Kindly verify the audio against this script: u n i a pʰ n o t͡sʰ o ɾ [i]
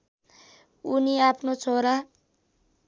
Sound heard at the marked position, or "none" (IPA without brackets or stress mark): a